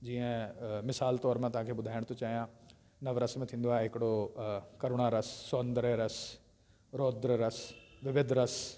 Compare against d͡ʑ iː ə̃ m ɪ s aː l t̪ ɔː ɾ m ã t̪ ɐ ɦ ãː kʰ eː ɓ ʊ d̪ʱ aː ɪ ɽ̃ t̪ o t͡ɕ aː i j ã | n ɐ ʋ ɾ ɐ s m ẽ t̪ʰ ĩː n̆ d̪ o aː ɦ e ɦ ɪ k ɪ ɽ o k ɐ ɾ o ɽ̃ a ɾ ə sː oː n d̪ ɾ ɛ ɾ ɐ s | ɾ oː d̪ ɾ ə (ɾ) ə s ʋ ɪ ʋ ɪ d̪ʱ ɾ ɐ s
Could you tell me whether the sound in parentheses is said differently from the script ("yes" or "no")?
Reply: no